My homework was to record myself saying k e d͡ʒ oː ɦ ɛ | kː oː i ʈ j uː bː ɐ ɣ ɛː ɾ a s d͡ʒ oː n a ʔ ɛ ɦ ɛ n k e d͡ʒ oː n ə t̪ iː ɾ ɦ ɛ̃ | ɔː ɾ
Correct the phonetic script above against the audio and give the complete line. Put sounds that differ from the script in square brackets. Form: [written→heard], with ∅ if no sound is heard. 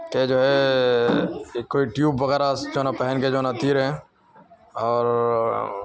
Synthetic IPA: k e d͡ʒ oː ɦ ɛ | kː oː i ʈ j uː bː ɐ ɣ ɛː ɾ a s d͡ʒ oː n a [ʔ→p] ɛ ɦ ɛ n k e d͡ʒ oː n [ə→a] t̪ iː ɾ ɦ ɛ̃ | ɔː ɾ